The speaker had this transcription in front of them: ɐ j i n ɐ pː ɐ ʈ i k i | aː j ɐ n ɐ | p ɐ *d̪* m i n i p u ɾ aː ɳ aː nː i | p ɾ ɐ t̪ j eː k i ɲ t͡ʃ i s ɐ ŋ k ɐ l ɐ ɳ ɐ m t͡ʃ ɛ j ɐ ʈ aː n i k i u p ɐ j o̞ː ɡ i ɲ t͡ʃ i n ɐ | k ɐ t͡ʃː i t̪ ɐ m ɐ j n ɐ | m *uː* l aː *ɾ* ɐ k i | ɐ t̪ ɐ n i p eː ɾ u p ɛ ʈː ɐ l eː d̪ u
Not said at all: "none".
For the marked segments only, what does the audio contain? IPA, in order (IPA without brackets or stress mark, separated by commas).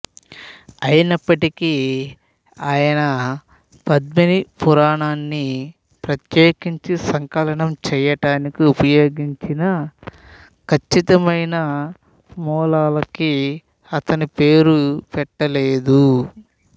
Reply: d̪, ɔː, l